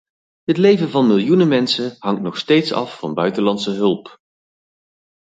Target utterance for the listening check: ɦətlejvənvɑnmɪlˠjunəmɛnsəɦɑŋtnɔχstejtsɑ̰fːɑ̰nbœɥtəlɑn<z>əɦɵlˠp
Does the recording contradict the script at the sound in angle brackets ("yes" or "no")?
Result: yes